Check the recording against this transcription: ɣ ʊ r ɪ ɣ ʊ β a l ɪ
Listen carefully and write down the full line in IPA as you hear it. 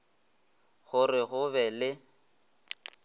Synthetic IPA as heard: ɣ ʊ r ɪ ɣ ʊ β ɛ l ɪ